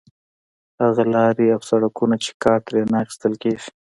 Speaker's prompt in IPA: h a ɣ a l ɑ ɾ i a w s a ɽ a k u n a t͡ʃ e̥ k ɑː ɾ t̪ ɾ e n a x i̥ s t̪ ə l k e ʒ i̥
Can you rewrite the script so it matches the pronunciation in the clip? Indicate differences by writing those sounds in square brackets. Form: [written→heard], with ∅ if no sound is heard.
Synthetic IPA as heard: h a ɣ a l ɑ ɾ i a w s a ɽ a k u n a t͡ʃ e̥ k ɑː ɾ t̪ ɾ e n a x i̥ s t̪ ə l k e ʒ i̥